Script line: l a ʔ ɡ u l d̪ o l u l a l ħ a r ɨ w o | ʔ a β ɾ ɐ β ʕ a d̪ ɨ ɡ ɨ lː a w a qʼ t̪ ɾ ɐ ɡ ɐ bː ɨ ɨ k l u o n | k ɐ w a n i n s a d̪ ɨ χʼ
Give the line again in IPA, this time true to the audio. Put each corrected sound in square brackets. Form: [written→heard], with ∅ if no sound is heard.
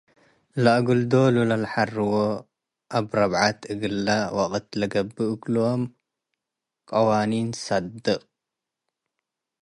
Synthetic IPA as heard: l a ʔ ɡ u l d̪ o l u l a l ħ a r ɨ w o | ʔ a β ɾ ɐ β ʕ a [d̪→t̪] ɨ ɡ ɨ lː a w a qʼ t̪ [ɾ→l] ɐ ɡ ɐ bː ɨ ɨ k l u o [n→m] | [k→kʼ] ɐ w a n i n s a d̪ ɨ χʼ